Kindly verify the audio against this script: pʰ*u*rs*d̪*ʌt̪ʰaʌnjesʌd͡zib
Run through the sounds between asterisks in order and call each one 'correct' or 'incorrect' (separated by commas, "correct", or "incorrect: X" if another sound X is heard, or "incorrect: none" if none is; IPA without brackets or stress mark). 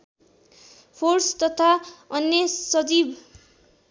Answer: incorrect: o, incorrect: t̪